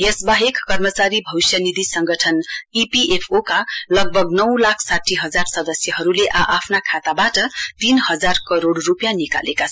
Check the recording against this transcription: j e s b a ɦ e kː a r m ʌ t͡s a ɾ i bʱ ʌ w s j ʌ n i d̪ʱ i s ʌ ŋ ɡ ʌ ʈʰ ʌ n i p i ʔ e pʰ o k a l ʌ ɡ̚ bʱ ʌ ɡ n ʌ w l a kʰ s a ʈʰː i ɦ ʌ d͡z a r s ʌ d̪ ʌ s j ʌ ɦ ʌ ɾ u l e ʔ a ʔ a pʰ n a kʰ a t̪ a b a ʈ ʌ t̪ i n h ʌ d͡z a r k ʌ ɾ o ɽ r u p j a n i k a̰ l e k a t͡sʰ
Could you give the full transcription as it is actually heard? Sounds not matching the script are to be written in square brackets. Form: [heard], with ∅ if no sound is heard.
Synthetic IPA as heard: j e s b a ɦ e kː [ʌ] r m ʌ t͡s a ɾ i bʱ ʌ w s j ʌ n i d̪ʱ i s ʌ ŋ ɡ ʌ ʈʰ ʌ n i p i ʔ e pʰ o k a l ʌ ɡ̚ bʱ ʌ ɡ n ʌ w l a kʰ s a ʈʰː i ɦ ʌ d͡z a r s ʌ d̪ ʌ s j ʌ ɦ ʌ ɾ u l e ʔ a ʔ a pʰ n a kʰ a t̪ a b a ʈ ʌ t̪ i n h ʌ d͡z a r k ʌ ɾ o ɽ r u p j a n i k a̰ l e k a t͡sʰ